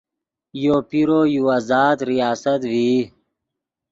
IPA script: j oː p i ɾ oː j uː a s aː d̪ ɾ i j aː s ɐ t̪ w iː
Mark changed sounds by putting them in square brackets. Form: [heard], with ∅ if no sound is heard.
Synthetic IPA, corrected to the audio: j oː p i ɾ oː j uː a [z] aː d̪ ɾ i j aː s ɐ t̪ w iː